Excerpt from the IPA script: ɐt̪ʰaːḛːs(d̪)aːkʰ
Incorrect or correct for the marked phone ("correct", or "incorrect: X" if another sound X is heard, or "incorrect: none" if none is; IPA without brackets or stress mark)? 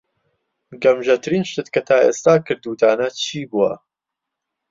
incorrect: t̪